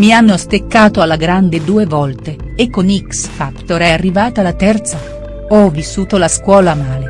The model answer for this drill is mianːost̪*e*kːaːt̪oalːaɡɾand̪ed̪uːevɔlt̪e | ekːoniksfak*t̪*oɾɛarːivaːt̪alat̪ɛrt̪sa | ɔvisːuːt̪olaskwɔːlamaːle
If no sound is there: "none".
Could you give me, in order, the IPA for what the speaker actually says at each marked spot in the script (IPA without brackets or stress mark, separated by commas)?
e, t̪